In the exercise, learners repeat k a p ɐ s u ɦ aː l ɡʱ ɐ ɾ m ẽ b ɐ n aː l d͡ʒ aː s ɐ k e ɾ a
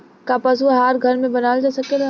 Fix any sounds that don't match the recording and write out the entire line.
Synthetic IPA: k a p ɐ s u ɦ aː ɾ ɡʱ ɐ ɾ m ẽ b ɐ n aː l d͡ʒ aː s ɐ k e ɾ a

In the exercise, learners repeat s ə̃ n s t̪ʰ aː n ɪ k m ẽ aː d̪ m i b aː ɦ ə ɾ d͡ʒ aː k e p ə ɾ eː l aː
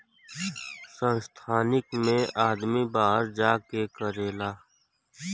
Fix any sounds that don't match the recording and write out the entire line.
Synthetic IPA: s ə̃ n s t̪ʰ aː n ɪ k m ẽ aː d̪ m i b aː ɦ ə ɾ d͡ʒ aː k e k ə ɾ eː l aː

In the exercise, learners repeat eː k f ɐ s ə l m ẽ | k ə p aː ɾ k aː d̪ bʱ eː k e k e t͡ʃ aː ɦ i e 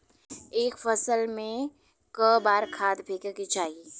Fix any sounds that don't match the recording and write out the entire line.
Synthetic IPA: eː k f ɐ s ə l m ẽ | k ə b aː ɾ kʰ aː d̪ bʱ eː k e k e t͡ʃ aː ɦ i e

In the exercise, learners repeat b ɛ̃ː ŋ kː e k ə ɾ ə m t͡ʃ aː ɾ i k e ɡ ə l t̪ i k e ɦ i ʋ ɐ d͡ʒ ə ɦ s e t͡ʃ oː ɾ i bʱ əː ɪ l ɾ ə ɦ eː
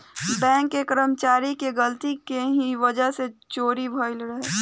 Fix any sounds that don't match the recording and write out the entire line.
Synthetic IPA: b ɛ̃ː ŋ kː e k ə ɾ ə m t͡ʃ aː ɾ i k e ɡ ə l t̪ i k e ɦ i ʋ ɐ d͡ʒ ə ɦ s e t͡ʃ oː ɾ i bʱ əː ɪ l ɾ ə ɦ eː

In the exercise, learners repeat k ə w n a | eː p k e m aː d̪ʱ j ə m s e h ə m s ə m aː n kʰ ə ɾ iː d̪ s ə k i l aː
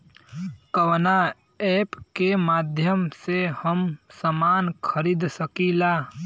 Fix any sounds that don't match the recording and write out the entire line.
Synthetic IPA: k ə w n a | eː p k e m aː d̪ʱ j ə m s e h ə m s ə m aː n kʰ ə ɾ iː d̪ s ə k i l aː

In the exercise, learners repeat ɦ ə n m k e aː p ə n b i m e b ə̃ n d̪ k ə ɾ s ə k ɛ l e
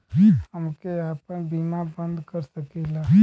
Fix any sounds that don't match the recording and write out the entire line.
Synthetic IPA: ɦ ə m k e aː p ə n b i m a b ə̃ n d̪ k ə ɾ s ə k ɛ l a

